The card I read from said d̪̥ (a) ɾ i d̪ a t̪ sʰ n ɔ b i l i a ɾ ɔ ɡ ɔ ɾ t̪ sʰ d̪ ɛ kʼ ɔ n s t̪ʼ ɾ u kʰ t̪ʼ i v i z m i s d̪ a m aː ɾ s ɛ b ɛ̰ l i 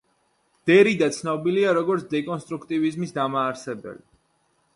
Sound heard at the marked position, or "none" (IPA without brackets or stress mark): ɛ